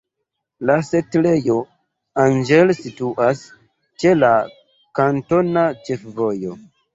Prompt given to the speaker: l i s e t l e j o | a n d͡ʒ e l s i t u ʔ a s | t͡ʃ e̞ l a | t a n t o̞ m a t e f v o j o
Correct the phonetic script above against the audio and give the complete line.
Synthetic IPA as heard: l a s e t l e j o | a n d͡ʒ e l s i t u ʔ a s | t͡ʃ e̞ l a | k a n t o̞ n a t͡ʃ e f v o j o